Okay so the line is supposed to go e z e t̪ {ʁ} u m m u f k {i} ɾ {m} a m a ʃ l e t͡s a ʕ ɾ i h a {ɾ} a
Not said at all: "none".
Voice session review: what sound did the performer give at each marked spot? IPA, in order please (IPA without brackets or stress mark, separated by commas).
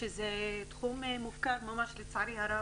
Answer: χ, a, m, ɾ